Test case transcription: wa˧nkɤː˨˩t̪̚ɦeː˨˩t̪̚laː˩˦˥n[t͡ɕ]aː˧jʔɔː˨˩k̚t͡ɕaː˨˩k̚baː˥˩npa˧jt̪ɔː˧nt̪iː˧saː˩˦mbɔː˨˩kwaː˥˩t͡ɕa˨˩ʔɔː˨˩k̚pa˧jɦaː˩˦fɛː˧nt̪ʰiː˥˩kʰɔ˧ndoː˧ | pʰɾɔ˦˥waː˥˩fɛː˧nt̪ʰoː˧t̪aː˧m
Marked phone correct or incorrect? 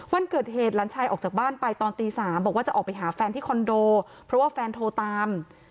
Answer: incorrect